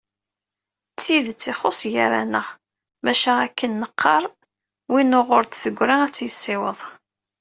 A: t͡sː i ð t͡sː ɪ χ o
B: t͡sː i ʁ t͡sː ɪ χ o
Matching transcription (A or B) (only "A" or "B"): A